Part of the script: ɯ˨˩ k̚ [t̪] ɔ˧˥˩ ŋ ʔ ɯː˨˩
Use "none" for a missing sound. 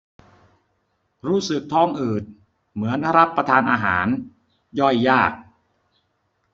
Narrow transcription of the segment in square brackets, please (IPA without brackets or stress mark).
t̪ʰ